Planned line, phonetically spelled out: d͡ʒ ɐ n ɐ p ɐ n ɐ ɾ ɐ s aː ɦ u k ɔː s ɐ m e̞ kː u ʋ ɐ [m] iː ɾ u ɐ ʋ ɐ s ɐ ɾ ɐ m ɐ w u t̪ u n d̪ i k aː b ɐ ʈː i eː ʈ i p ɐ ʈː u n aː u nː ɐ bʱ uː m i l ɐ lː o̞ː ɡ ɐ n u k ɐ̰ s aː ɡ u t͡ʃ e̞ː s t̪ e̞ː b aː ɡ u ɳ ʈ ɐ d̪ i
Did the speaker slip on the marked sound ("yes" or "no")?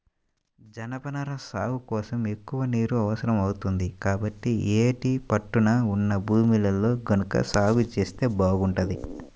yes